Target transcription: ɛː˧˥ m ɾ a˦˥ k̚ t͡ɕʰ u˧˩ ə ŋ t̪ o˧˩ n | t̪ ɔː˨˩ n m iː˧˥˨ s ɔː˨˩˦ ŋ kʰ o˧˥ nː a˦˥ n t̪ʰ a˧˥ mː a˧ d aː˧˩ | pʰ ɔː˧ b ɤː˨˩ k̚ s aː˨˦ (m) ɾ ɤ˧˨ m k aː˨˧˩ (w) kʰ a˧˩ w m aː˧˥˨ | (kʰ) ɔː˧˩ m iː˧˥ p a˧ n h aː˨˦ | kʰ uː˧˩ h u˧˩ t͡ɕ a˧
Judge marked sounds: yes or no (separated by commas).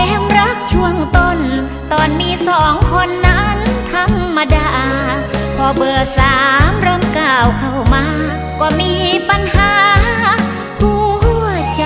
yes, yes, no